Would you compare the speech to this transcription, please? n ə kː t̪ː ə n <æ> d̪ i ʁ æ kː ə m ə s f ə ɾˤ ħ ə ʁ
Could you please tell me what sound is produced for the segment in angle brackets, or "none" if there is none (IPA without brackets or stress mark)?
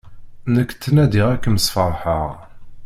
æ